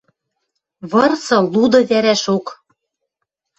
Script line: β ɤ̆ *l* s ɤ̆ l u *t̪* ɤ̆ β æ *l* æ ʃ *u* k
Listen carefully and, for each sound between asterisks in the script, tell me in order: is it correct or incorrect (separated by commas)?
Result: incorrect, incorrect, incorrect, incorrect